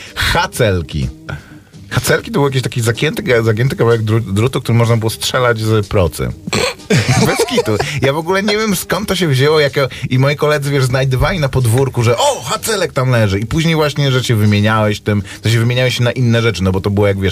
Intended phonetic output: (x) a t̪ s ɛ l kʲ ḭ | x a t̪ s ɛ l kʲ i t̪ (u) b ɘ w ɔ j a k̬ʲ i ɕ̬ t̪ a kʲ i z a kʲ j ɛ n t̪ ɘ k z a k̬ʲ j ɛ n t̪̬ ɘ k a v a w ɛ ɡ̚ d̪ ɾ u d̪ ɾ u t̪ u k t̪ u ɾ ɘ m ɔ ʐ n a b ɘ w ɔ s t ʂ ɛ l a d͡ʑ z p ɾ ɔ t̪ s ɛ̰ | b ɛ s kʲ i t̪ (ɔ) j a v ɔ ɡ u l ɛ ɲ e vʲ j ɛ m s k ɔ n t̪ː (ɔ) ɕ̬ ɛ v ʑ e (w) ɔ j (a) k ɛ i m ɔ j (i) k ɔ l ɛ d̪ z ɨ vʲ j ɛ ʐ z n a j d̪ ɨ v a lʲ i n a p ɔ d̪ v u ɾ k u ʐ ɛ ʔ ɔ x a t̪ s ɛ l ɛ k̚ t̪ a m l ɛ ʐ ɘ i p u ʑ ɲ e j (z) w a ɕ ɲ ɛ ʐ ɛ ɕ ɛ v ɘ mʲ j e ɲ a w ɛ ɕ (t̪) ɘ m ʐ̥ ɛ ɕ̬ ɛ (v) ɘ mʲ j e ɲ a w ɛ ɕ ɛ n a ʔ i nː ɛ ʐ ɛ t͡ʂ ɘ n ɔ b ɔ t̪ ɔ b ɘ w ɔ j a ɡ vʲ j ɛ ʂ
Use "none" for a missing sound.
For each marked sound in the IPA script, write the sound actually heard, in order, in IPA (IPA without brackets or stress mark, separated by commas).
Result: x, ɔ, u, ɔ, w, a, i, v, t̪, v